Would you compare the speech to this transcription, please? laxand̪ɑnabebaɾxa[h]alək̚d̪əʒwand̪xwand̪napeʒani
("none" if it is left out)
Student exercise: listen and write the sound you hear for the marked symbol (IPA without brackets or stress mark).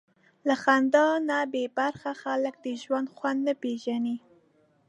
x